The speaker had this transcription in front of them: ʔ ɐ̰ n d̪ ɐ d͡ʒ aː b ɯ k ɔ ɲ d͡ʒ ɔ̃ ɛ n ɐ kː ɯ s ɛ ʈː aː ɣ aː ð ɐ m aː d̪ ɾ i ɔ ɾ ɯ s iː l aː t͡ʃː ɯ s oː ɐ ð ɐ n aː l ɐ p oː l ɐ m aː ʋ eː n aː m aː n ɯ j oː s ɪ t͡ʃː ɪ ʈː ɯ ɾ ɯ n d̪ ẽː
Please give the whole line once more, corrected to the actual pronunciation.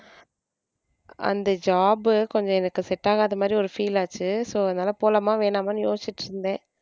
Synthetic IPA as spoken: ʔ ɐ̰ n d̪ ɐ d͡ʒ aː b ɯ k ɔ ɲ d͡ʒ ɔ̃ ɛ n ɐ kː ɯ s ɛ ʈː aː ɣ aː ð ɐ m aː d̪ ɾ i ɔ ɾ ɯ f iː l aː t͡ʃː ɯ s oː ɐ ð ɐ n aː l ɐ p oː l ɐ m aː ʋ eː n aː m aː n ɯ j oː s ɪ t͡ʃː ɪ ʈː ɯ ɾ ɯ n d̪ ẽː